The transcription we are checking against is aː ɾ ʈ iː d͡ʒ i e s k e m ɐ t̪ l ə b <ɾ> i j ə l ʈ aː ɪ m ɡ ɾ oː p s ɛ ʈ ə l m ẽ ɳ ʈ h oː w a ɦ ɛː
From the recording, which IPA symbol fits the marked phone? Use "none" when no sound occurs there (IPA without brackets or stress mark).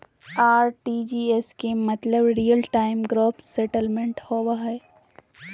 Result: ɾ